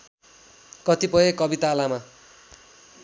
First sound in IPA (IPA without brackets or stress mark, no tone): k